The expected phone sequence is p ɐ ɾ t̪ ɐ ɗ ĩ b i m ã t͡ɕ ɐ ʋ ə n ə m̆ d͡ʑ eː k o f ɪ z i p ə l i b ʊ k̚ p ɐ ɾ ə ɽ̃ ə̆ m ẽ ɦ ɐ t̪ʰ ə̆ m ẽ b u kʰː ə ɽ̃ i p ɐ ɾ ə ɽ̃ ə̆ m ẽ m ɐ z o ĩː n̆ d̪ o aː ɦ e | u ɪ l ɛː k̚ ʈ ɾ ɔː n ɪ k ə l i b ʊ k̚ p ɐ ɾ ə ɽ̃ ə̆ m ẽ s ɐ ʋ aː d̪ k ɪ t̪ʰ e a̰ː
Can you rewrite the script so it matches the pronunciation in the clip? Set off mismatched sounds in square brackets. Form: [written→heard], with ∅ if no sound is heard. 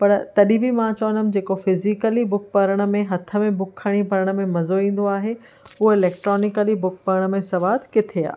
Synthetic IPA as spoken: p ɐ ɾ t̪ ɐ ɗ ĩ b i m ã t͡ɕ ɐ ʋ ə n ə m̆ d͡ʑ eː k o f ɪ z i [p→k] ə l i b ʊ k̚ p ɐ ɾ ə ɽ̃ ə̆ m ẽ ɦ ɐ t̪ʰ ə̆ m ẽ b [u→ʊ] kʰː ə ɽ̃ i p ɐ ɾ ə ɽ̃ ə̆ m ẽ m ɐ z o ĩː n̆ d̪ o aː ɦ e | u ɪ l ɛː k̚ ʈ ɾ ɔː n ɪ k ə l i b ʊ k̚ p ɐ ɾ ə ɽ̃ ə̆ m ẽ s ɐ ʋ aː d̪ k ɪ t̪ʰ e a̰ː